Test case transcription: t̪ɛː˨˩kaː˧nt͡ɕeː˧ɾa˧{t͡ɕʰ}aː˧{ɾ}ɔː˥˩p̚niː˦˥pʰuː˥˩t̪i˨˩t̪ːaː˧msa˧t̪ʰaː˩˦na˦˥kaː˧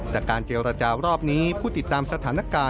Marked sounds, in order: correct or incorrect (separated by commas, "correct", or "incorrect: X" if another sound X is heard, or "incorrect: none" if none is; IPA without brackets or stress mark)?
incorrect: t͡ɕ, correct